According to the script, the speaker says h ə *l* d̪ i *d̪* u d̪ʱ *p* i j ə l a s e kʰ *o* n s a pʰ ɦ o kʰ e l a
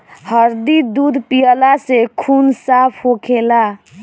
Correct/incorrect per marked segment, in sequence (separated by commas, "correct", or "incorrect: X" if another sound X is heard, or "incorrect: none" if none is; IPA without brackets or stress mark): incorrect: ɾ, correct, correct, incorrect: u